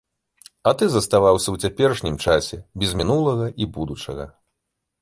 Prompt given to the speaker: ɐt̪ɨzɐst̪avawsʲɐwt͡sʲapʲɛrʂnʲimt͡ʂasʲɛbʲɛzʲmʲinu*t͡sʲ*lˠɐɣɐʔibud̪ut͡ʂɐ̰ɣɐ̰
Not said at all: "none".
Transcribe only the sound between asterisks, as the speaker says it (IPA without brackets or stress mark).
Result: none